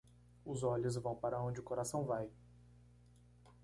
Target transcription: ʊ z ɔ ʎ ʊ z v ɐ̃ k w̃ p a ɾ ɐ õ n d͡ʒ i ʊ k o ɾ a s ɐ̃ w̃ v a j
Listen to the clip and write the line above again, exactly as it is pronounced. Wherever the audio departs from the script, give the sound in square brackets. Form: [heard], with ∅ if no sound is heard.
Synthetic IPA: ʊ z ɔ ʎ ʊ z v ɐ̃ [∅] w̃ p a ɾ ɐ õ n d͡ʒ [ɪ] ʊ k o ɾ a s ɐ̃ w̃ v a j